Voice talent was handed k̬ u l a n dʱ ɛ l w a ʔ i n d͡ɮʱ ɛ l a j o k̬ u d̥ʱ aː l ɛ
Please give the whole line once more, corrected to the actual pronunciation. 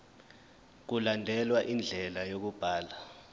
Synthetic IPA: k̬ u l a n dʱ ɛ l w a ʔ i n d͡ɮʱ ɛ l a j o k̬ u b̥ʱ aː l a